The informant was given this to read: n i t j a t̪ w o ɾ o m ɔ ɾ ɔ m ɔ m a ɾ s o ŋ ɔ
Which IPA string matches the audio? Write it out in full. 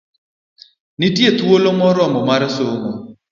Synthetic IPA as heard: n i t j e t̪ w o l o m ɔ ɾ ɔ m ɔ m a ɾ s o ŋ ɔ